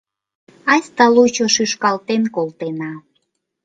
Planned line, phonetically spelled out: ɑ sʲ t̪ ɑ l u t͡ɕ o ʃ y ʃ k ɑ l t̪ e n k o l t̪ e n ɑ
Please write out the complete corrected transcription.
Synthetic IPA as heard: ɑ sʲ t̪ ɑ l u t͡ɕ o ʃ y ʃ k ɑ l t̪ e n k o l t̪ e n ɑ